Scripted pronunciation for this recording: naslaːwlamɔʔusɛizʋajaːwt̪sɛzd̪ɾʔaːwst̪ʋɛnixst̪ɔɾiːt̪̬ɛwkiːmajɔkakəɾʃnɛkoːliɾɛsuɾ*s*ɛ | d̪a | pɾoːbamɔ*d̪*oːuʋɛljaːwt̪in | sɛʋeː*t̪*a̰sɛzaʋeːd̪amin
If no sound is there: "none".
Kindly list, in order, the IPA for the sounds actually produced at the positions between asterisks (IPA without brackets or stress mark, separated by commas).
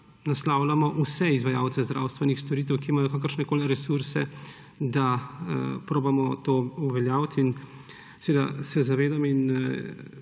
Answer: s, t̪, d̪